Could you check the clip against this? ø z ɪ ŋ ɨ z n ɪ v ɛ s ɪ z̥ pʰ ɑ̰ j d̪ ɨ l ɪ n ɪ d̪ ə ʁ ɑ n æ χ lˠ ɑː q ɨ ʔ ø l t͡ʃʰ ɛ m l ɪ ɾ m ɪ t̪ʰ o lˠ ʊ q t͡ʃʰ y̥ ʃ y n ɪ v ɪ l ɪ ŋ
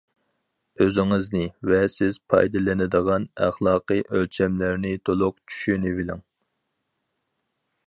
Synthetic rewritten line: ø z ɪ ŋ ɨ z n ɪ v ɛ s ɪ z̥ pʰ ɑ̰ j d̪ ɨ l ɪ n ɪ d̪ ə ʁ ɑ n æ χ lˠ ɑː q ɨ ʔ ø l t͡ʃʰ ɛ m l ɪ ɾ n ɪ t̪ʰ o lˠ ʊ q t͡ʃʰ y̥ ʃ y n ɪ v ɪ l ɪ ŋ